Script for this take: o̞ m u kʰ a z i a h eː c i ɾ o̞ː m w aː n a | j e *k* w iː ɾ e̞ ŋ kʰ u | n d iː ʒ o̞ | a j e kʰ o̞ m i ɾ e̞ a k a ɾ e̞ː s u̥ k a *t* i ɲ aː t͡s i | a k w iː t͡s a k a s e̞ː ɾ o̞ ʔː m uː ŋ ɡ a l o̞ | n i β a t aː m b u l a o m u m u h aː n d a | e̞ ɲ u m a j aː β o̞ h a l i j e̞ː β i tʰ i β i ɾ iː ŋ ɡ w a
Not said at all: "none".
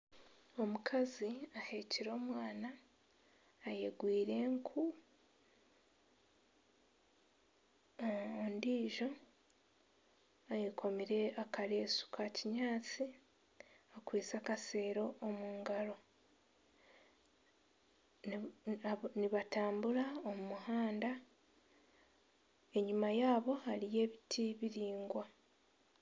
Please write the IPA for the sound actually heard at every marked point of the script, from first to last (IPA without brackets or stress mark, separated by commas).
ɡ, c